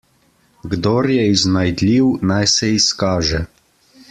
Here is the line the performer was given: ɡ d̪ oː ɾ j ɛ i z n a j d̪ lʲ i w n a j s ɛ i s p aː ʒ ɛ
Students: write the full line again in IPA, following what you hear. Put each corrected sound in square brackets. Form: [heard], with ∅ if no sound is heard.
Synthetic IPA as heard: ɡ d̪ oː ɾ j ɛ i z n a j d̪ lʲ i w n a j s ɛ i s [k] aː ʒ ɛ